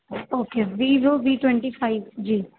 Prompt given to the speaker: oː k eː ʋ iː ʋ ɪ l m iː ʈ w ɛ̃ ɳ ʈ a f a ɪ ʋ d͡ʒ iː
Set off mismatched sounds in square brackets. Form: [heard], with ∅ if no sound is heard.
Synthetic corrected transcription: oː k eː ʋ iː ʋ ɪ l [b] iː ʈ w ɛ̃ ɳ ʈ [i] f a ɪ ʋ d͡ʒ iː